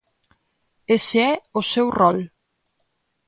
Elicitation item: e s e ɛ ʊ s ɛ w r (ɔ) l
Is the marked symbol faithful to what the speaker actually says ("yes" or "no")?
yes